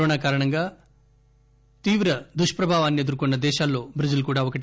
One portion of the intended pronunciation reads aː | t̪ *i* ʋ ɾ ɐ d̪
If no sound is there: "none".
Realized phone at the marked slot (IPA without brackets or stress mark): iː